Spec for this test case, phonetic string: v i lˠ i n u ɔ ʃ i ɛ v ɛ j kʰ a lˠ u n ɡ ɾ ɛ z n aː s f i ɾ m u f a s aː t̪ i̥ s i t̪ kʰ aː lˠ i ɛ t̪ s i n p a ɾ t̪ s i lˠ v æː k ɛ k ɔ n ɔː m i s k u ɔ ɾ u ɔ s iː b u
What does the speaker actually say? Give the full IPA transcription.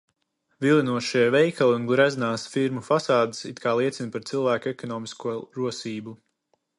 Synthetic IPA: v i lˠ i n u ɔ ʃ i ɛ v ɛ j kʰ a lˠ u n ɡ ɾ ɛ z n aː s f i ɾ m u f a s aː d̪ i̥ s i t̪ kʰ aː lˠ i ɛ t̪ s i n p a ɾ t̪ s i lˠ v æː k ɛ k ɔ n ɔː m i s k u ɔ ɾ u ɔ s iː b u